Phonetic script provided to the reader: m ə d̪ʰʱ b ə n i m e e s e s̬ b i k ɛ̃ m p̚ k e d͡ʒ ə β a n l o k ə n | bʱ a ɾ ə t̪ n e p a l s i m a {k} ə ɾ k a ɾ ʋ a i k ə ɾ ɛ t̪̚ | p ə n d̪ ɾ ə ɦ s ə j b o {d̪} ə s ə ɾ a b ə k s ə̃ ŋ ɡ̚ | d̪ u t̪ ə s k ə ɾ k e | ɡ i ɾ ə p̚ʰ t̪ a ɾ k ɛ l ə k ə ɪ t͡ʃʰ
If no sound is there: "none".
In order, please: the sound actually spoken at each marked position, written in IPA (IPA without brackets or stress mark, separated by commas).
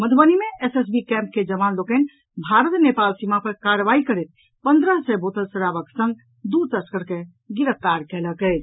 p, t̪